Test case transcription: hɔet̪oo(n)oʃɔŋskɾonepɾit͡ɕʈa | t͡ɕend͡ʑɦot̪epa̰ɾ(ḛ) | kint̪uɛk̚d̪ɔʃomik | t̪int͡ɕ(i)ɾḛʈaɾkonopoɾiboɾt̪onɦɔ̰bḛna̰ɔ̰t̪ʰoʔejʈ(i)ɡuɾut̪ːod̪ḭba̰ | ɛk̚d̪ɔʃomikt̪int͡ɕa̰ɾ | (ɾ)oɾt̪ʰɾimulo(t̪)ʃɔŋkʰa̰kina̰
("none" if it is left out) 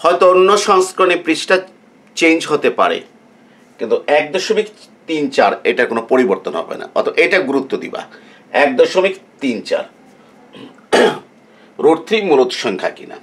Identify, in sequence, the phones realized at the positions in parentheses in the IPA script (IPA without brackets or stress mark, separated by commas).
nː, ḛ, a, a, ɾ, t̪